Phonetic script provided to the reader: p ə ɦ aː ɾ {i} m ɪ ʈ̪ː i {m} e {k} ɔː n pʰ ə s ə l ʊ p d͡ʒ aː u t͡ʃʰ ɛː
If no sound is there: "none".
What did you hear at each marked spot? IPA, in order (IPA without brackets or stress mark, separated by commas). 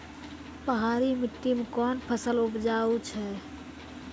i, m, k